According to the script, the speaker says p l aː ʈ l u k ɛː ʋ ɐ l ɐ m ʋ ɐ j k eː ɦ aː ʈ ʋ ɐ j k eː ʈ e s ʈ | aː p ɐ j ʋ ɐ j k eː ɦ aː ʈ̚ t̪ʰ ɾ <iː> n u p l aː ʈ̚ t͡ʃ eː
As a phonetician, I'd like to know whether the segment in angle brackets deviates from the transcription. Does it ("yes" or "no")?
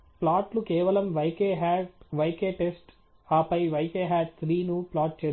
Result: no